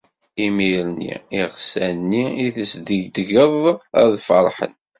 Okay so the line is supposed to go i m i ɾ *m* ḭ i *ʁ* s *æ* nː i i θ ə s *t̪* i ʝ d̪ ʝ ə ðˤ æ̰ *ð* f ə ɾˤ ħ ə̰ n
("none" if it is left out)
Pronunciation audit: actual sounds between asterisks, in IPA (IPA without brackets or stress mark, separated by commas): n, ʁ, æ, d̪, ð